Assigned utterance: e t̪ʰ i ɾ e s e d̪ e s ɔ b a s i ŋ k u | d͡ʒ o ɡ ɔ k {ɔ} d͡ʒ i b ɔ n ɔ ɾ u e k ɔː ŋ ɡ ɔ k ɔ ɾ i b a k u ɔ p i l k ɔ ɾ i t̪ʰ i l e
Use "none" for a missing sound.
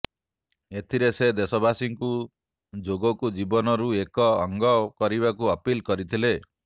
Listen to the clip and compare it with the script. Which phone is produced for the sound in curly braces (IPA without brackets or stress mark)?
u